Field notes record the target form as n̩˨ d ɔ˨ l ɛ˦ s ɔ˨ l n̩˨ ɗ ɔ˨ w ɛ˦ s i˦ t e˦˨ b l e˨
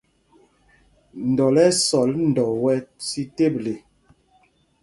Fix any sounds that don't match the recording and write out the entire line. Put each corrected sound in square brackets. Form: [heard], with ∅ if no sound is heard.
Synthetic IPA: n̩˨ d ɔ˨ l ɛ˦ s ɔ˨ l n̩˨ [d] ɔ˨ w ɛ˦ s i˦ t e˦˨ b l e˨